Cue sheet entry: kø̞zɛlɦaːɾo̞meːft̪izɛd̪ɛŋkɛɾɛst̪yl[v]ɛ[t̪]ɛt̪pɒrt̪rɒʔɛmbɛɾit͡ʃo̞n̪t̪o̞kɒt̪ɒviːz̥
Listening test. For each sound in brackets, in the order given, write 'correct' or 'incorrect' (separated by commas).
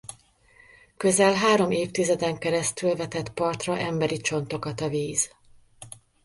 correct, correct